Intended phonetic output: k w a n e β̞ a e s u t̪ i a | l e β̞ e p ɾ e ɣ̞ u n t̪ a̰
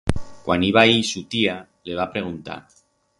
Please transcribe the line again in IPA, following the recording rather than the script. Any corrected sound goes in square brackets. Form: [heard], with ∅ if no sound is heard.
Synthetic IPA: k w a n [i] β̞ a [i] s u t̪ i a | l e β̞ [a] p ɾ e ɣ̞ u n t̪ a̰